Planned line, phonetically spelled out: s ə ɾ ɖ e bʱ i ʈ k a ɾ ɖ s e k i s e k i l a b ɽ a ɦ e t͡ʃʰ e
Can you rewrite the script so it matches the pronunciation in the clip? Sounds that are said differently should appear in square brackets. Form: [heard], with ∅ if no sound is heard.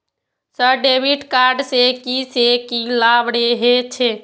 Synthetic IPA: s ə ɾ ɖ e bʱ i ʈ k a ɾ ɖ s e k i s e k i l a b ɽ [e] ɦ e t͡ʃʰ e

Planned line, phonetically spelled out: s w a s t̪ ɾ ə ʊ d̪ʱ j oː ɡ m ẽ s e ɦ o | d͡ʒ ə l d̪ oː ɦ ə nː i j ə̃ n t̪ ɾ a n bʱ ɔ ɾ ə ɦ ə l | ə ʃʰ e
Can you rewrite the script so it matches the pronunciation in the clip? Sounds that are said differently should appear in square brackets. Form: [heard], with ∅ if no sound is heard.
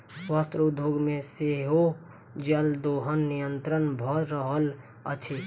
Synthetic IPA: s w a s t̪ ɾ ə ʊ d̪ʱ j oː ɡ m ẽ s e ɦ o | d͡ʒ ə l d̪ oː ɦ ə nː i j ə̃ n t̪ ɾ [ə] n bʱ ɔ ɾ ə ɦ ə l | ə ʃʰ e

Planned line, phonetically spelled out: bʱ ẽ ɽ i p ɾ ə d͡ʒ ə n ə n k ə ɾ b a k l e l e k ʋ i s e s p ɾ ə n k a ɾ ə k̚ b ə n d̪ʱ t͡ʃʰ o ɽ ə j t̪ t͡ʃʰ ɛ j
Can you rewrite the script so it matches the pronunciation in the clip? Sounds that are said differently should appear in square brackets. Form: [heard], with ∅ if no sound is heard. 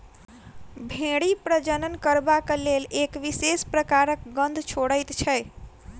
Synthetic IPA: bʱ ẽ ɽ i p ɾ ə d͡ʒ ə n ə n k ə ɾ b a k l e l e k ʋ i s e s p ɾ ə [∅] k a ɾ ə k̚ [ɡ] ə n d̪ʱ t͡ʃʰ o ɽ ə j t̪ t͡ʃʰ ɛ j

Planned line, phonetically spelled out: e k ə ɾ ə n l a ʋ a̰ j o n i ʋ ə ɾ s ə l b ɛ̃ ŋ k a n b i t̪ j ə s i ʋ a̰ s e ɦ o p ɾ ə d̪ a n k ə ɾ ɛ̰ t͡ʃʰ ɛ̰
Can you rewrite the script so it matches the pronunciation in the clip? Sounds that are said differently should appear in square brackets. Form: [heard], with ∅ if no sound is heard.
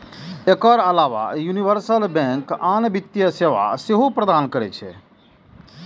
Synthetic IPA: e k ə ɾ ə [∅] l a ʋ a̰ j [u] n i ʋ ə ɾ s ə l b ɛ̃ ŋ k a n b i t̪ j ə s [e] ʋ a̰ s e ɦ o p ɾ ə d̪ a n k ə ɾ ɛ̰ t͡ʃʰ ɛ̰

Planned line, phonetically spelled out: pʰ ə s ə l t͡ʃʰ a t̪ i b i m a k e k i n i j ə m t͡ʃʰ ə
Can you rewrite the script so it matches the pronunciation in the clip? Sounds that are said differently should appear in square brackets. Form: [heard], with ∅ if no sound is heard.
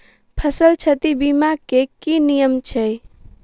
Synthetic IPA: pʰ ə s ə l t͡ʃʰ [ə] t̪ i b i m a k e k i n i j ə m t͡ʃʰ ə

